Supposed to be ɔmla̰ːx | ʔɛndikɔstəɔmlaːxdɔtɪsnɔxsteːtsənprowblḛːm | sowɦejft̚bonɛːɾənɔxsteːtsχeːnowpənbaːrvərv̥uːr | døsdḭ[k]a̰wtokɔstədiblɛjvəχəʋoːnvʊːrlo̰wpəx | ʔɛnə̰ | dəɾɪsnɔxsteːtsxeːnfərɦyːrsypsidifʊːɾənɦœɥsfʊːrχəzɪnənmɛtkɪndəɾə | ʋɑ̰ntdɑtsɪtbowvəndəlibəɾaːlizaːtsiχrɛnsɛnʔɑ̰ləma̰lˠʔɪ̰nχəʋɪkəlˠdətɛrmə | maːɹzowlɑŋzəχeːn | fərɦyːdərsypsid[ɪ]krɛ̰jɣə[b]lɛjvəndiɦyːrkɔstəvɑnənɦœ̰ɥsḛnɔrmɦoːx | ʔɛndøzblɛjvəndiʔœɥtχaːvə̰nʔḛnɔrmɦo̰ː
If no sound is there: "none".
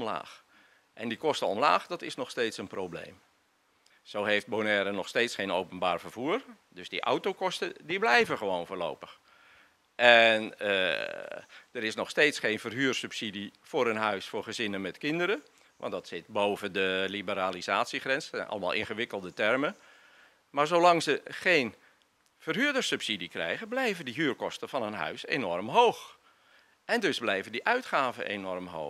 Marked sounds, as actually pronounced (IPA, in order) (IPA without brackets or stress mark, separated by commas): ʔ, i, b